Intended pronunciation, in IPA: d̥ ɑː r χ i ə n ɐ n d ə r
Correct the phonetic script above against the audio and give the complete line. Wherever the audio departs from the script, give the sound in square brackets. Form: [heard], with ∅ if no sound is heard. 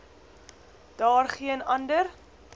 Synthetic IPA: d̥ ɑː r χ i ə n ɐ n d ə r

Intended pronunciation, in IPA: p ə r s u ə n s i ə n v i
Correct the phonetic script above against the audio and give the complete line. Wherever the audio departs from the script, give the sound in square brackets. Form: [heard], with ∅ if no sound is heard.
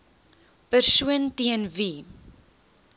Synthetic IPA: p ə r s u ə n [t] i ə n v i

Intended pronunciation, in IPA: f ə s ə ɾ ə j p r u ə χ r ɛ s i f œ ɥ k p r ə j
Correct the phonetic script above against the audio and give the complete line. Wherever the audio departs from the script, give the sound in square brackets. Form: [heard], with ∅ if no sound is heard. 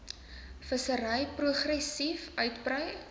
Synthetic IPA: f ə s ə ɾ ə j p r u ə χ r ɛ s i f œ ɥ [t] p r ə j

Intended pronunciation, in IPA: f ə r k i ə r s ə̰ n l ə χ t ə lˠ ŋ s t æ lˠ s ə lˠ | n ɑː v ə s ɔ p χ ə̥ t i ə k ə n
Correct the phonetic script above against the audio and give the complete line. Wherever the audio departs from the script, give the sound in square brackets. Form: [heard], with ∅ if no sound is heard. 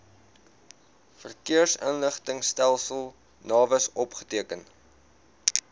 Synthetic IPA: f ə r k i ə r s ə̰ n l ə χ t ə [∅] ŋ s t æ lˠ s ə lˠ | n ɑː v ə s ɔ p χ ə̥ t i ə k ə n

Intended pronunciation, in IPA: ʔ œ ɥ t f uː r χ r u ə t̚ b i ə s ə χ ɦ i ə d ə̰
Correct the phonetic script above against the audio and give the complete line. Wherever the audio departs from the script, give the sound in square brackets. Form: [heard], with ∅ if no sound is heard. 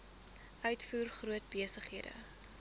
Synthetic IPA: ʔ œ ɥ t f uː r χ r u ə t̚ b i ə s ə χ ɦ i ə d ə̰

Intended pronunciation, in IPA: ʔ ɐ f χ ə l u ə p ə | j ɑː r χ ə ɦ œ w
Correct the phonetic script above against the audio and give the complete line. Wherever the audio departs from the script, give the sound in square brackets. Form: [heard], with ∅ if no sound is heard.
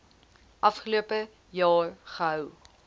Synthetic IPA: ʔ ɐ f χ ə l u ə p ə | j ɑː r χ ə ɦ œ w

